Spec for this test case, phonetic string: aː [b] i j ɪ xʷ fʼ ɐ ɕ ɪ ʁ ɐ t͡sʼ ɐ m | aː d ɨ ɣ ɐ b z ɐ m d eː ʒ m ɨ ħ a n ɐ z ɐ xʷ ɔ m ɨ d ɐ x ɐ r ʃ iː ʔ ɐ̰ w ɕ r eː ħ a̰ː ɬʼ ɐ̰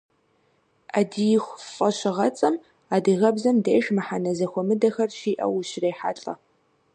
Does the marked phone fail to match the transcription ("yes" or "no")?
yes